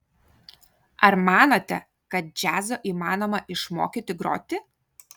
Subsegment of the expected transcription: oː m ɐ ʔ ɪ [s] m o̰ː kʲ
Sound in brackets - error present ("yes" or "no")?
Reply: yes